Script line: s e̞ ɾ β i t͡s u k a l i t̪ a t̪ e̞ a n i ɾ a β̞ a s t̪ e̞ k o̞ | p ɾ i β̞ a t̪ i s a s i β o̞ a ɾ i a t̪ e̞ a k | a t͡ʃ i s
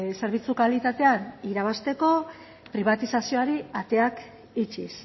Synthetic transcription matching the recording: s e̞ ɾ β i t͡s u k a l i t̪ a t̪ e̞ a n i ɾ a β̞ a s t̪ e̞ k o̞ | p ɾ i β̞ a t̪ i s a s i o̞ a ɾ i a t̪ e̞ a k | i t͡ʃ i s